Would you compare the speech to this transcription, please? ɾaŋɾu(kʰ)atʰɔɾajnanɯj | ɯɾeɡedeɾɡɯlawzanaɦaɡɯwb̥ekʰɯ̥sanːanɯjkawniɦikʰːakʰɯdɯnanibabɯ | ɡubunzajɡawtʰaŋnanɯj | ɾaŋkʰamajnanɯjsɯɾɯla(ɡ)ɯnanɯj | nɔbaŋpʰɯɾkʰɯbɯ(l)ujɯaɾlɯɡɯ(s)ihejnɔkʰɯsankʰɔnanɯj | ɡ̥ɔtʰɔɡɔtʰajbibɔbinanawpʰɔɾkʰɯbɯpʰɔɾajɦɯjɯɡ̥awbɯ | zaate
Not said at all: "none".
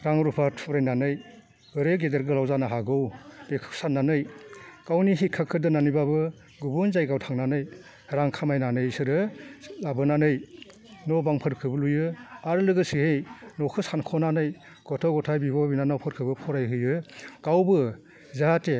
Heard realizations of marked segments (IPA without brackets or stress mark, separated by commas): pʰ, b, l, s